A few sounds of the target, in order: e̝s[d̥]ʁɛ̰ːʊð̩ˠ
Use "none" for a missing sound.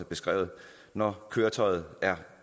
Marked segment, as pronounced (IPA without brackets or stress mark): ɡ̥